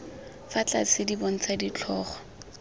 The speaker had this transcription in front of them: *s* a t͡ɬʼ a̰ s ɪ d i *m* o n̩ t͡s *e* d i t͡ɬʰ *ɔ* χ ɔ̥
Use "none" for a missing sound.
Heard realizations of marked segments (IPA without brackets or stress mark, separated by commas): f, b, a, ɔː